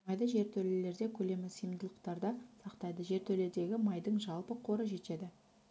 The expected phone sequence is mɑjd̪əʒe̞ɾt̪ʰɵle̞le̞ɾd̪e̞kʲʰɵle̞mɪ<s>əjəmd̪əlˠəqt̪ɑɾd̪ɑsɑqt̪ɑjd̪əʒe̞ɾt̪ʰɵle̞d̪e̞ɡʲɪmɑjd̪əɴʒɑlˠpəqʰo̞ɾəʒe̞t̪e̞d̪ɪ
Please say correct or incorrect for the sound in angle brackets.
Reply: correct